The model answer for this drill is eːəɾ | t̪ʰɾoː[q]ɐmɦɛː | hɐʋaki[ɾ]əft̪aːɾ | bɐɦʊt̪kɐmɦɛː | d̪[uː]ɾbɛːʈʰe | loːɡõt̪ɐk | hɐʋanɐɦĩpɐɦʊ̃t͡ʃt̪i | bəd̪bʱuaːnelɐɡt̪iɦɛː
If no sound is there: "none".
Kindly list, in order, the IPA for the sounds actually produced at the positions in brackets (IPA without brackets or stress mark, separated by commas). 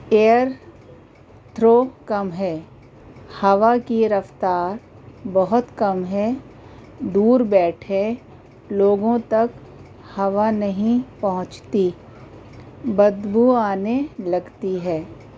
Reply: k, ɾ, uː